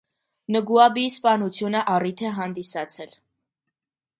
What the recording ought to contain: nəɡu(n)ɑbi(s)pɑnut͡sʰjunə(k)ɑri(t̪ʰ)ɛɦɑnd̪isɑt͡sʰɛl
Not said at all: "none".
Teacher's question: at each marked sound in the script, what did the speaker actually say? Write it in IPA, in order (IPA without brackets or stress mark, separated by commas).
none, s, ʔ, t̪ʰ